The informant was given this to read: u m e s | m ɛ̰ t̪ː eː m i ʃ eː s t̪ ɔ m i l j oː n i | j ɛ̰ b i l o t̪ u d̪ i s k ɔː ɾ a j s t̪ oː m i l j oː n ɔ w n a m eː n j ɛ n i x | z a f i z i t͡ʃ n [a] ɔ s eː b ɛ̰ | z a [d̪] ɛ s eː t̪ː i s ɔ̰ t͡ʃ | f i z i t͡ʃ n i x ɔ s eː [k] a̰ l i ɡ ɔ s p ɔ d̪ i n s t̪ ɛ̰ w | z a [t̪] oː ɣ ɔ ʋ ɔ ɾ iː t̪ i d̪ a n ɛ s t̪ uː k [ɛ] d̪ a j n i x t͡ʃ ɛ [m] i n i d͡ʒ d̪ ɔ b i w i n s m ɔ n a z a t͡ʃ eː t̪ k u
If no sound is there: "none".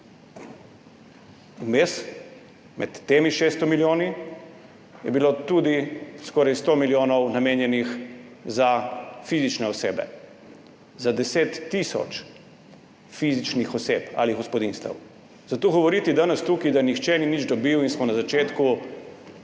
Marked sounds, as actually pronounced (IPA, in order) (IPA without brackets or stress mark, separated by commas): ɛ, d̪, p, t̪, i, n